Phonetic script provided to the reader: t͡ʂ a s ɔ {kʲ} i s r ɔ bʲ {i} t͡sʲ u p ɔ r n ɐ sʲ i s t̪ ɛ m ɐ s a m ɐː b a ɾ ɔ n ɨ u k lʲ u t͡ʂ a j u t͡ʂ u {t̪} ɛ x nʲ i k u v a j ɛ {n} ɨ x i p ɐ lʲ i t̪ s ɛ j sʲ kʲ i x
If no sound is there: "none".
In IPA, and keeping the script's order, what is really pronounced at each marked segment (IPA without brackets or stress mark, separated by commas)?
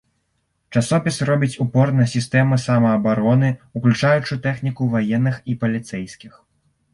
pʲ, i, t̪, nː